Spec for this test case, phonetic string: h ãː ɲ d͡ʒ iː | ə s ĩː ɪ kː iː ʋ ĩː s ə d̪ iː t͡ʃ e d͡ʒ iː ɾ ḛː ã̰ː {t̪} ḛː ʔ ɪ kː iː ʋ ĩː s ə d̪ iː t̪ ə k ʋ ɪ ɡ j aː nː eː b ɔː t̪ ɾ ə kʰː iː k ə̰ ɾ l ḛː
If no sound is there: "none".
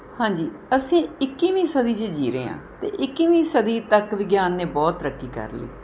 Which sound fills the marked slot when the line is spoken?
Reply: t̪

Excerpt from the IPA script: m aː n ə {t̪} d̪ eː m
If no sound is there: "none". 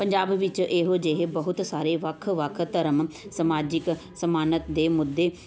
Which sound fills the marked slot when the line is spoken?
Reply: t̪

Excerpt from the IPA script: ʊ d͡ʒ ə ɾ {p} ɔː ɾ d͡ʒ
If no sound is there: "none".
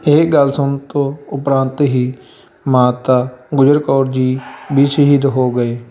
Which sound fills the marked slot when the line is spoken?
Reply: k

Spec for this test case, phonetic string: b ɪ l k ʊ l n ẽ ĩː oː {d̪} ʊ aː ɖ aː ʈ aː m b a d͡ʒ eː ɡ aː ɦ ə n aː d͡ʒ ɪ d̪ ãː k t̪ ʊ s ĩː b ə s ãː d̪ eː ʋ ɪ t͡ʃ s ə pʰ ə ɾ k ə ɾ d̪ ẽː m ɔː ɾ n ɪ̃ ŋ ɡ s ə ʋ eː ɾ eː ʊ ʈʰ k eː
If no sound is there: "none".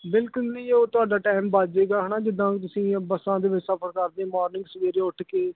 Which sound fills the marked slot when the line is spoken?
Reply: t̪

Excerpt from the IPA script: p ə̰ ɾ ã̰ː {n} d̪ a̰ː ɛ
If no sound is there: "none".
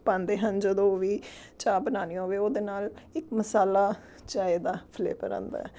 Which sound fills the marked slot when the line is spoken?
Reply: n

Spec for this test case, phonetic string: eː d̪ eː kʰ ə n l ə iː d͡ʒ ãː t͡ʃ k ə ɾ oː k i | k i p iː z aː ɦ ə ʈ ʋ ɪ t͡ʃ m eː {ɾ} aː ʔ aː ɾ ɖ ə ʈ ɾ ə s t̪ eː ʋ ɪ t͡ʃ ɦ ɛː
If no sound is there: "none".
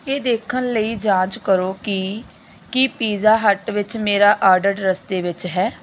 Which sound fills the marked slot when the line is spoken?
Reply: ɾ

